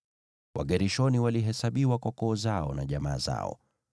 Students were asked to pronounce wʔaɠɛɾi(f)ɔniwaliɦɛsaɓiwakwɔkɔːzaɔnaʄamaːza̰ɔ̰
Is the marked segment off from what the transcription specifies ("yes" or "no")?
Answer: yes